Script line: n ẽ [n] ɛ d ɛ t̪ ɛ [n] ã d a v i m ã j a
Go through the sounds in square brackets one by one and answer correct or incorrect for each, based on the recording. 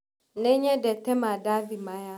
incorrect, incorrect

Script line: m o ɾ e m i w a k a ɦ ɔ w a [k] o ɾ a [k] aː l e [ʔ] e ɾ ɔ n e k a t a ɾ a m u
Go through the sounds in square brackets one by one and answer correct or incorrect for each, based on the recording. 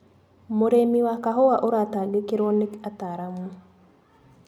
incorrect, incorrect, incorrect

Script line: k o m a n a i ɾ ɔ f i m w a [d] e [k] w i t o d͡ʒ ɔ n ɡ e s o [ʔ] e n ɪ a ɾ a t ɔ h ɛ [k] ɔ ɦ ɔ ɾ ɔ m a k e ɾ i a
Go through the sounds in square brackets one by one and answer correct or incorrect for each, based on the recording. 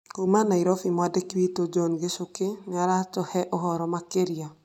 correct, correct, incorrect, incorrect

